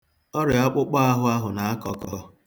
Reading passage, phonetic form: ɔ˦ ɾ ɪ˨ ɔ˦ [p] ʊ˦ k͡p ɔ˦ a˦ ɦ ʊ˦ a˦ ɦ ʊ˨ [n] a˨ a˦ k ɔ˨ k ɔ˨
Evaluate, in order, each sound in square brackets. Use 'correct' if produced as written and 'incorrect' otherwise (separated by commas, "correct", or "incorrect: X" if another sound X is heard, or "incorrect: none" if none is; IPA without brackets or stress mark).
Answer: incorrect: k͡p, correct